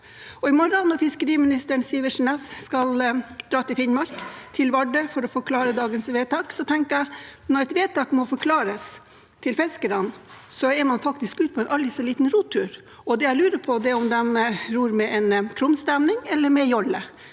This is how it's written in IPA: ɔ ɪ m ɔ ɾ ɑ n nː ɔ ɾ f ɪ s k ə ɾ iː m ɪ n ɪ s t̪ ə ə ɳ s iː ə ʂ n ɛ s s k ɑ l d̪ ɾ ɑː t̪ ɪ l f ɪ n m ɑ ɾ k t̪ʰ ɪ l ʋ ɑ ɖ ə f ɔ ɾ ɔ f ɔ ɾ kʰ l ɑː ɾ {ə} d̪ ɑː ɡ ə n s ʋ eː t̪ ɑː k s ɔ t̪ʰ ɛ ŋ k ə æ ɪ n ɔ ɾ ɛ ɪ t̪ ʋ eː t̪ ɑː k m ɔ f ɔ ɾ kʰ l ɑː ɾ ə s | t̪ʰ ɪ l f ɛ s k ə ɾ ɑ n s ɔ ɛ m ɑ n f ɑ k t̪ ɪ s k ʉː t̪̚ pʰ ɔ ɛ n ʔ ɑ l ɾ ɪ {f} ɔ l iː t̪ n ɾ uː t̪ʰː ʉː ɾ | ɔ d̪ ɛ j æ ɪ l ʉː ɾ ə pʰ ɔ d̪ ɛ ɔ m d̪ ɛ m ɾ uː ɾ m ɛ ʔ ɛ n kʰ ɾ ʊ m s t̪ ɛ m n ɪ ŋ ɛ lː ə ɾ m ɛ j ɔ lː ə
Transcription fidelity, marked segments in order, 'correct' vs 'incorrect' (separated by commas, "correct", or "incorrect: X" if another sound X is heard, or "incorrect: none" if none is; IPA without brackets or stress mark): correct, incorrect: s